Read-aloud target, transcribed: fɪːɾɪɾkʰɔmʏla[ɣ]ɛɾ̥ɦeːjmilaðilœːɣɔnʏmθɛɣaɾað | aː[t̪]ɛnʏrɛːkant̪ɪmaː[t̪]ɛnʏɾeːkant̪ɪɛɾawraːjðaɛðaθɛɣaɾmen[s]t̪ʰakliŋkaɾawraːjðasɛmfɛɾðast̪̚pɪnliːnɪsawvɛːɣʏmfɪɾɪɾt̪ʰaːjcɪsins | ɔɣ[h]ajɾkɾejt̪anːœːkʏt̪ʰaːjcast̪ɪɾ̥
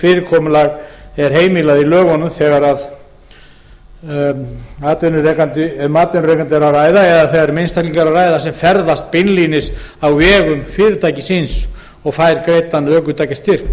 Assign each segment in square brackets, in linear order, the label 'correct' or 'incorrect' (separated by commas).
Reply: correct, correct, correct, correct, incorrect